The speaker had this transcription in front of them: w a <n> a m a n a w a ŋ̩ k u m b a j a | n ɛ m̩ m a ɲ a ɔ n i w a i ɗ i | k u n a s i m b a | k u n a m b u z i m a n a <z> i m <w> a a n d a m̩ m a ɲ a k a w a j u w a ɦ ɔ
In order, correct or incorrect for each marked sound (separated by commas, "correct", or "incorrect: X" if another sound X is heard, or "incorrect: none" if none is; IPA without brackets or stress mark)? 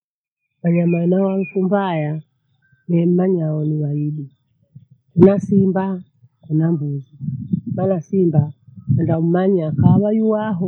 incorrect: ɲ, incorrect: s, incorrect: b